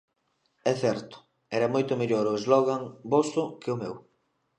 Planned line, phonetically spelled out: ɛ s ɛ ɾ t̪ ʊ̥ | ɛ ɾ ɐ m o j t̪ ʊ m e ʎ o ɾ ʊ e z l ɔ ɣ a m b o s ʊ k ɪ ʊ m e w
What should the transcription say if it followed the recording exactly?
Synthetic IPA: ɛ θ ɛ ɾ t̪ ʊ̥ | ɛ ɾ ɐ m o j t̪ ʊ m e ʎ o ɾ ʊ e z l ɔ ɣ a ŋ b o s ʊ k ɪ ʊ m e w